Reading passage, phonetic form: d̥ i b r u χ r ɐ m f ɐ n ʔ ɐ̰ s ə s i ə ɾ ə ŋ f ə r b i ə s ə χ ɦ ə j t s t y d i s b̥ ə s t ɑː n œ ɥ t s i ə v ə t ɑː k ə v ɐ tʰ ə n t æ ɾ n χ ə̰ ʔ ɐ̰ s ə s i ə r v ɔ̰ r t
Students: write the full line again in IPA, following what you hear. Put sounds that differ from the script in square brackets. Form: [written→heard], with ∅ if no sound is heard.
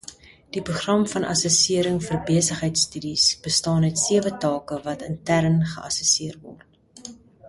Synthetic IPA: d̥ i [b→p] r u χ r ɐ m f ɐ n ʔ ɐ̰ s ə s i ə ɾ ə ŋ f ə r b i ə s ə χ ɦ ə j t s t y d i s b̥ ə s t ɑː n œ ɥ t s i ə v ə t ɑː k ə v ɐ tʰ ə n t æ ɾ n χ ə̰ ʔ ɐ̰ s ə s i ə r v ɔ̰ r t